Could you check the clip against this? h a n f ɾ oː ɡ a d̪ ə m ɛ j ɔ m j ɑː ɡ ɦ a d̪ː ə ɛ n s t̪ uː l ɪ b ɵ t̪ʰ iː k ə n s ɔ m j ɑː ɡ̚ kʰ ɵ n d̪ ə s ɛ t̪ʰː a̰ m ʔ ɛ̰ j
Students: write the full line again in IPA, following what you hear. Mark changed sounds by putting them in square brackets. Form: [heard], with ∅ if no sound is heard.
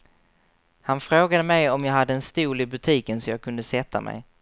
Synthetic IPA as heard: h a n f ɾ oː ɡ a d̪ ə m ɛ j ɔ m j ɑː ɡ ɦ a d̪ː ə ɛ n s t̪ uː l ɪ b ɵ t̪ʰ iː k ə n s ɔ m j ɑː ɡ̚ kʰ ɵ n d̪ ə s ɛ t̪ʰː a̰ m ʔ ɛ̰ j